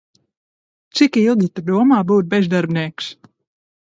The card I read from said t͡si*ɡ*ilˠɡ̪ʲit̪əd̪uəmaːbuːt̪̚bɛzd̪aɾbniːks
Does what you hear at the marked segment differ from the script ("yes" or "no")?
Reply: yes